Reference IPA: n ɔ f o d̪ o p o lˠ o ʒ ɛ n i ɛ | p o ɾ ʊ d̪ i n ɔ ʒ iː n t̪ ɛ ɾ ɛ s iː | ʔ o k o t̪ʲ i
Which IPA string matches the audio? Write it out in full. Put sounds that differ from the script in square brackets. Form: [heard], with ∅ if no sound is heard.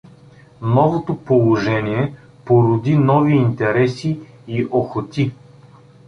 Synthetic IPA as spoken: n ɔ [v] o [t̪] o p o lˠ o ʒ ɛ n i ɛ | p o ɾ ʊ d̪ i n ɔ [v] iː n t̪ ɛ ɾ ɛ s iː | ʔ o [x] o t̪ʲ i

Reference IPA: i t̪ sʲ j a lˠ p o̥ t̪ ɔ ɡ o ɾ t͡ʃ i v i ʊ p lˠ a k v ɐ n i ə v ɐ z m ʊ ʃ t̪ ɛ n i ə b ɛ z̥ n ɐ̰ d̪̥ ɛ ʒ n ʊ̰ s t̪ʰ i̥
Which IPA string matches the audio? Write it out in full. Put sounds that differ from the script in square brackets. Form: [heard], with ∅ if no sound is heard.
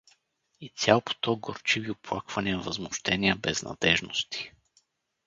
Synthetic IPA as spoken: i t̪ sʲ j a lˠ p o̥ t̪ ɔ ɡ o ɾ t͡ʃ i v i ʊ p lˠ a k v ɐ n i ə v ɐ z m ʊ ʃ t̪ ɛ n i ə b ɛ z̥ n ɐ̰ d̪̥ ɛ ʒ n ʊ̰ s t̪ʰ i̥

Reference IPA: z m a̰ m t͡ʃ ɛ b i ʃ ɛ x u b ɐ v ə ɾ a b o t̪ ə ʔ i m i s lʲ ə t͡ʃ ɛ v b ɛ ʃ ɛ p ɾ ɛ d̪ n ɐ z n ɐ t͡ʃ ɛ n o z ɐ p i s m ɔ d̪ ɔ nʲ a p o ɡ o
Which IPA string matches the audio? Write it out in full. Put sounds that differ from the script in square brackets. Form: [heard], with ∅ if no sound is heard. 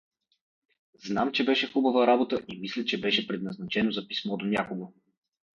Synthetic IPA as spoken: z [n] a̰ m t͡ʃ ɛ b [ɛ] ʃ ɛ x u b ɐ v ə ɾ a b o t̪ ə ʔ i m i s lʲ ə t͡ʃ ɛ [∅] b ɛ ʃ ɛ p ɾ ɛ d̪ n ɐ z n ɐ t͡ʃ ɛ n o z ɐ p i s m ɔ d̪ [o] nʲ a [k] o ɡ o

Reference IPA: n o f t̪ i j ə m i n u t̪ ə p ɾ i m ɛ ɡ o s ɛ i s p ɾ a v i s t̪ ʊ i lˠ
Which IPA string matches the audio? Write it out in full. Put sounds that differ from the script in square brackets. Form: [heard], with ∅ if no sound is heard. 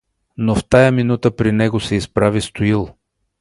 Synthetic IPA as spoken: n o f t̪ [a] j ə m i n u t̪ ə p ɾ i [n] ɛ ɡ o s ɛ i s p ɾ a v i s t̪ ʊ i lˠ

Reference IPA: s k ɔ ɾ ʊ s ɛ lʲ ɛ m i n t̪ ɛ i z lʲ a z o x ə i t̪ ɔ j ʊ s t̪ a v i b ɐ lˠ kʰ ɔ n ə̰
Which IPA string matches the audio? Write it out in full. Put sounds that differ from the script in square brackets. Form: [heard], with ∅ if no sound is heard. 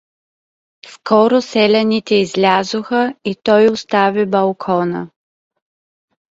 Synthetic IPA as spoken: s k ɔ ɾ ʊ s ɛ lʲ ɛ [n] i [∅] t̪ ɛ i z lʲ a z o x ə i t̪ ɔ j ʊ s t̪ a v i b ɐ lˠ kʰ ɔ n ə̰

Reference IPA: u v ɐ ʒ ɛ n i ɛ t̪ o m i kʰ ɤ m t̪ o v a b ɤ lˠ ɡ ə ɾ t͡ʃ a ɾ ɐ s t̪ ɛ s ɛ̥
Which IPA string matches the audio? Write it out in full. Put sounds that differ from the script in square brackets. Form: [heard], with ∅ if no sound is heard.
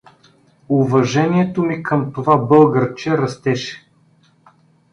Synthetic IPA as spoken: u v ɐ ʒ ɛ n i ɛ t̪ o m i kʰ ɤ m t̪ o v a b ɤ lˠ ɡ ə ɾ t͡ʃ [ɛ] ɾ ɐ s t̪ ɛ [ʃ] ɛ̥

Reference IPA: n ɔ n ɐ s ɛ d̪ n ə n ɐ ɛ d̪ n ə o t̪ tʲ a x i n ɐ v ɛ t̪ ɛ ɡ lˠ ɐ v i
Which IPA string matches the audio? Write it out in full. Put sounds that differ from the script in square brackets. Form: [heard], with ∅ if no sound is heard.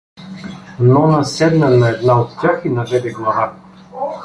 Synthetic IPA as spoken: n ɔ n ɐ s ɛ d̪ n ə n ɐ ɛ d̪ n [a] o t̪ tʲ a x i n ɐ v ɛ [d̪] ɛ ɡ lˠ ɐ v [a]

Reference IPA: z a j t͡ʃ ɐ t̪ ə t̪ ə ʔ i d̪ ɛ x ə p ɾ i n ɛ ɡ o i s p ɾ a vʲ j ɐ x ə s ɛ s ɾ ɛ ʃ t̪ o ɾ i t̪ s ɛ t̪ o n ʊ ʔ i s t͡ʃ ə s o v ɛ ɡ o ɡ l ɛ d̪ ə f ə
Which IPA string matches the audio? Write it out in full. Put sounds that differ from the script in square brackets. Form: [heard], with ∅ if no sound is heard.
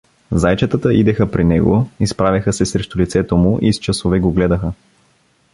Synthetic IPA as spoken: z a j t͡ʃ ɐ t̪ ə t̪ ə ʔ i d̪ ɛ x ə p ɾ i n ɛ ɡ o i s p ɾ a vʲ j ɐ x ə s ɛ s ɾ ɛ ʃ t̪ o [l] i t̪ s ɛ t̪ o [m] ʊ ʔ i s t͡ʃ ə s o v ɛ ɡ o ɡ l ɛ d̪ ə [x] ə

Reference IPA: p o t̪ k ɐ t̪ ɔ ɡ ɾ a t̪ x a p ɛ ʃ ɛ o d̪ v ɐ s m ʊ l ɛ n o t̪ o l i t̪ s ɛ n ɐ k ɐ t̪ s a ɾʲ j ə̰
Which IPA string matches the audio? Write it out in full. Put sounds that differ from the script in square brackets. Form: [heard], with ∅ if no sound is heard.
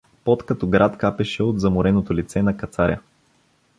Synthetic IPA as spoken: p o t̪ k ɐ t̪ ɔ ɡ ɾ a t̪ [k] a p ɛ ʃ ɛ o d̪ [z] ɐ [∅] m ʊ [ɾ] ɛ n o t̪ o l i t̪ s ɛ n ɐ k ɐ t̪ s a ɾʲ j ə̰

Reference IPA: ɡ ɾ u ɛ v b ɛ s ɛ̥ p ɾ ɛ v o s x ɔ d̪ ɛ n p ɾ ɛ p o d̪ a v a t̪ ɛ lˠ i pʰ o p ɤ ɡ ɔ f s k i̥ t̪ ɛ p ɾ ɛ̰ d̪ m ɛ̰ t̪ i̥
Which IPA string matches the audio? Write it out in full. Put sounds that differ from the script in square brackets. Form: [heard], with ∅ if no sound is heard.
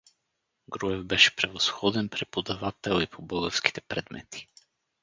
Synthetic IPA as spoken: ɡ ɾ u ɛ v b ɛ [ʃ] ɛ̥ p ɾ ɛ v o s x ɔ d̪ ɛ n p ɾ ɛ p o d̪ a v a t̪ ɛ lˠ i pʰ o [b] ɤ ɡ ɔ f s k i̥ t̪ ɛ p ɾ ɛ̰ d̪ m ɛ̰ t̪ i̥

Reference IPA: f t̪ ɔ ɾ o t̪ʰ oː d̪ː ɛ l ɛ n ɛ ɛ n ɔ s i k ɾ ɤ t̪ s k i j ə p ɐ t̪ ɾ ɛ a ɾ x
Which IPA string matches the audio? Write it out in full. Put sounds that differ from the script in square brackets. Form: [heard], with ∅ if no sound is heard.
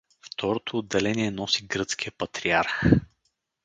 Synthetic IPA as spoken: f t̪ ɔ ɾ o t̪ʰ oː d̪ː ɛ l ɛ n [i] ɛ n ɔ s i [ɡ] ɾ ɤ t̪ s k i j ə p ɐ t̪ ɾ [i] a ɾ x

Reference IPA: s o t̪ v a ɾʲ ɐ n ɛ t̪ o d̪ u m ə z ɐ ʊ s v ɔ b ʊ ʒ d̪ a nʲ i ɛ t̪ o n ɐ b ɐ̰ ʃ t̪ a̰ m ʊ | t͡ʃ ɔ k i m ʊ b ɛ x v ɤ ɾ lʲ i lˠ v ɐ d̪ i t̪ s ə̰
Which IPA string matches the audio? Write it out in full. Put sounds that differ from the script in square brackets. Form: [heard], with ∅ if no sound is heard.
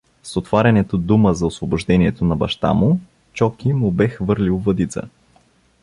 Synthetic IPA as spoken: s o t̪ v a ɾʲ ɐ n ɛ t̪ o d̪ u m ə z ɐ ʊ s v [o] b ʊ ʒ d̪ [ɛ] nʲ i ɛ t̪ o n ɐ b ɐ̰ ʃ t̪ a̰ m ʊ | t͡ʃ ɔ k i m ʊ b ɛ x v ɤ ɾ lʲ i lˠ v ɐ d̪ i t̪ s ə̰

